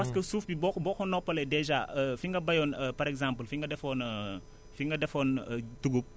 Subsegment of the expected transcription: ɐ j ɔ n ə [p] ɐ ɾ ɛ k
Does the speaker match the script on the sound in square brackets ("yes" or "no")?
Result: yes